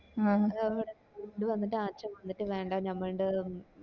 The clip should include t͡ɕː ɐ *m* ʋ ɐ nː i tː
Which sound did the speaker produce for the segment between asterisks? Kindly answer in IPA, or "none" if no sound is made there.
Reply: m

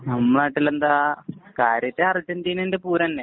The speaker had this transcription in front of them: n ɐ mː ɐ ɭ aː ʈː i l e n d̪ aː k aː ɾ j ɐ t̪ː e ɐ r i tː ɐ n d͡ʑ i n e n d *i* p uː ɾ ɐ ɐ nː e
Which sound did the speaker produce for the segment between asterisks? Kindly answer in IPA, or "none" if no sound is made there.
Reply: e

